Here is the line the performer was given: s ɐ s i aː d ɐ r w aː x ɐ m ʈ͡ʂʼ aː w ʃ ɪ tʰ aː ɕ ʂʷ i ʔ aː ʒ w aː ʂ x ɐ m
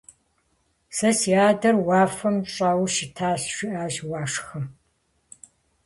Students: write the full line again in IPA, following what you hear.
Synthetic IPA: s ɐ s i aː d ɐ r w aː f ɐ m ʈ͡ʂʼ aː w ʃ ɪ tʰ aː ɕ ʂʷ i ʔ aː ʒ w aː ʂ x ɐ m